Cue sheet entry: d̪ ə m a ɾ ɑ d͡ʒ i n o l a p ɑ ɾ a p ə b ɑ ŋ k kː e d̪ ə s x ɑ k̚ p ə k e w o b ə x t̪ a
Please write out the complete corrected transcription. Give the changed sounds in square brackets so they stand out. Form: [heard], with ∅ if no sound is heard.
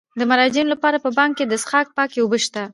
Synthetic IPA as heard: d̪ ə m a ɾ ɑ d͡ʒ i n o l a p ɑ ɾ a p ə b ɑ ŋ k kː e d̪ ə s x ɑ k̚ p [ɑ] k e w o b ə [ʃ] t̪ a